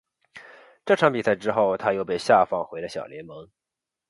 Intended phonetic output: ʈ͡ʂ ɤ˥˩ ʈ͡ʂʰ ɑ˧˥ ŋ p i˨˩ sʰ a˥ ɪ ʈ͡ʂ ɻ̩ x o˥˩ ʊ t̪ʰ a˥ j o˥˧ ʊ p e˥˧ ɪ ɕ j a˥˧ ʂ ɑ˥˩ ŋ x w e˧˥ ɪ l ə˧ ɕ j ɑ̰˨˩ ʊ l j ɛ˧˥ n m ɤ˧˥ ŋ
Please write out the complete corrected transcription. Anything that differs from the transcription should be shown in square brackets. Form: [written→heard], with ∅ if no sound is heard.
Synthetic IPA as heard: ʈ͡ʂ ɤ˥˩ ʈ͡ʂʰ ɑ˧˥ ŋ p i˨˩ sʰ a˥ ɪ ʈ͡ʂ ɻ̩ x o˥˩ ʊ t̪ʰ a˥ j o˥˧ ʊ p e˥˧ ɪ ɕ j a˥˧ [ʂ→f] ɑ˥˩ ŋ x w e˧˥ ɪ l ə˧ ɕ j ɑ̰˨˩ ʊ l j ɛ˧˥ n m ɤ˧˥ ŋ